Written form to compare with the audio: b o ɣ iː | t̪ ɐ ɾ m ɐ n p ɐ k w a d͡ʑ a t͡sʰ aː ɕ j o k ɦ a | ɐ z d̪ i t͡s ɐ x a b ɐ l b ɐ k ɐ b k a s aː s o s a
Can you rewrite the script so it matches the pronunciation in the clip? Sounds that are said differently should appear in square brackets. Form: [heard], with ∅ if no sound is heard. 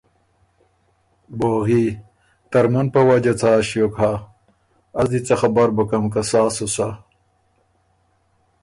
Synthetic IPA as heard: b o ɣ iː | t̪ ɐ ɾ m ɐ n p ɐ [∅] w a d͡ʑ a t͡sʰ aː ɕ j o k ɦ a | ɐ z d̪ i t͡s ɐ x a b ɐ [ɾ] b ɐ k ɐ [m] k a s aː s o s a